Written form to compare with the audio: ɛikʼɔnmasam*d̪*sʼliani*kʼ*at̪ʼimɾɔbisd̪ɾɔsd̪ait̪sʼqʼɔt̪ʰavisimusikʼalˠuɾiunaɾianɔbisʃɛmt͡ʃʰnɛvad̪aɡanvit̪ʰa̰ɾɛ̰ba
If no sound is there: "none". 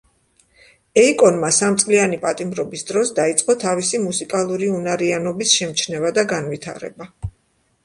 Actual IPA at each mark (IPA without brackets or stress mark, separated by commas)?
t̪, pʼ